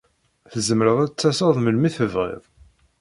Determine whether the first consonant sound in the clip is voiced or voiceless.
voiceless